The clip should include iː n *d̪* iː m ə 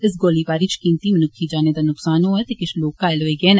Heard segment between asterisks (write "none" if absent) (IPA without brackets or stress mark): t̪